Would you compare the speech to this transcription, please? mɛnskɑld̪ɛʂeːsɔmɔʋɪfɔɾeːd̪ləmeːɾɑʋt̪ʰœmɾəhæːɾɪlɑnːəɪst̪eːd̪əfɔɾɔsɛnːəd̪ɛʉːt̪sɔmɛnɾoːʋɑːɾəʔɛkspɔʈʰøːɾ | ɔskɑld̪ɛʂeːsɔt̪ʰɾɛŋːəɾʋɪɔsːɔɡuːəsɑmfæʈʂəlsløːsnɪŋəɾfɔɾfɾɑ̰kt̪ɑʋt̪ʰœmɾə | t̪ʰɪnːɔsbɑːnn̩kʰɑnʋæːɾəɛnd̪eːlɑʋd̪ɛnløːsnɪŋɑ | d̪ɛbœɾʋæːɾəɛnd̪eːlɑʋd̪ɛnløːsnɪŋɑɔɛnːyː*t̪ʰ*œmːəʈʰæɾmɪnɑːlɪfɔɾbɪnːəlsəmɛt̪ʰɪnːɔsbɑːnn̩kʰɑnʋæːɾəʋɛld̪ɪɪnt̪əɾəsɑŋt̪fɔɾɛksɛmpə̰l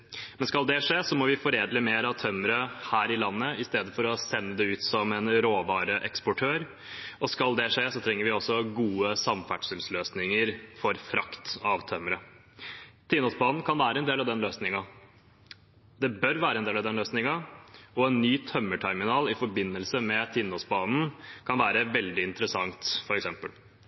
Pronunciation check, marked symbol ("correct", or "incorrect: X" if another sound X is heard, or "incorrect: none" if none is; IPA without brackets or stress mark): correct